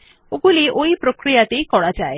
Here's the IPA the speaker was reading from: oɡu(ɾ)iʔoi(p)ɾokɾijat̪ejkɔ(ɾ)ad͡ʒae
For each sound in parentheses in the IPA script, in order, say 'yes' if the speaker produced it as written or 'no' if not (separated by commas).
no, yes, no